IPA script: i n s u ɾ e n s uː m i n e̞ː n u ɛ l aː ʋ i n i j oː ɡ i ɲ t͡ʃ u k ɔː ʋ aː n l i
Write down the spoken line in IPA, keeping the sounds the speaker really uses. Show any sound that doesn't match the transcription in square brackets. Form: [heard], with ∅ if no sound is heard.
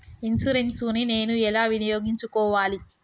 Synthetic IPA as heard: i n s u ɾ e n s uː [n] i n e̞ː n u ɛ l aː ʋ i n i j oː ɡ i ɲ t͡ʃ u k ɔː ʋ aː [∅] l i